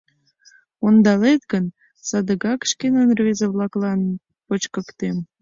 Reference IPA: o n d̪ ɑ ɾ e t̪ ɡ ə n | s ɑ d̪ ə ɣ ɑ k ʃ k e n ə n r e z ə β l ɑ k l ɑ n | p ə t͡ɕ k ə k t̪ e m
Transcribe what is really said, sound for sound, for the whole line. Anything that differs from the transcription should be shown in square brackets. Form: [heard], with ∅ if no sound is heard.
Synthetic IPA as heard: o n d̪ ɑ [l] e t̪ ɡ ə n | s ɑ d̪ ə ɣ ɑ k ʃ k e n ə n r e z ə β l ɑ k l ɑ n | p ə t͡ɕ k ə k t̪ e m